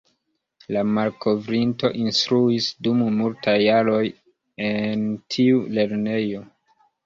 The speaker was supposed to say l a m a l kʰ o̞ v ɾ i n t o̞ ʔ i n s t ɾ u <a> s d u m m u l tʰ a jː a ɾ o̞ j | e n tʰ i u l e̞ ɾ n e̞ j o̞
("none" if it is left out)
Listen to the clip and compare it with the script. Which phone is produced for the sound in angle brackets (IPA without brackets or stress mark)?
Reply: i